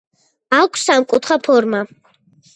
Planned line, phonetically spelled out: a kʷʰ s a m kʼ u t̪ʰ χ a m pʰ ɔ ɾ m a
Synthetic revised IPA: a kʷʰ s a m kʼ u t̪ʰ χ a pʰ ɔ ɾ m a